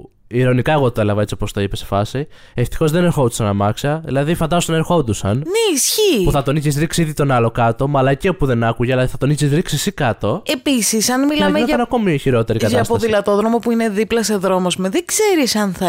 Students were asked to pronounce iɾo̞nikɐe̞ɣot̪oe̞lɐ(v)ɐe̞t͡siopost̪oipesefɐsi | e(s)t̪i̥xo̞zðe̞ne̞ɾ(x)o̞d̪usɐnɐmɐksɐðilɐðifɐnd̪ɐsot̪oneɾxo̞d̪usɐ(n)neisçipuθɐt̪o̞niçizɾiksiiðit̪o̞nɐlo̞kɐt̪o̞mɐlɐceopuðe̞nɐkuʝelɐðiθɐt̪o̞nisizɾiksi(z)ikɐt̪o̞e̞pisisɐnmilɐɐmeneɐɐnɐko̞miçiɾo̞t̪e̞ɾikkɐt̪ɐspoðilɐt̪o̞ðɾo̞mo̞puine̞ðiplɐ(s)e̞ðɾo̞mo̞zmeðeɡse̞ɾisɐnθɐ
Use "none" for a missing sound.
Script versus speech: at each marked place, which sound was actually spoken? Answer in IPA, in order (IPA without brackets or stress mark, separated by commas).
v, f, x, n, s, s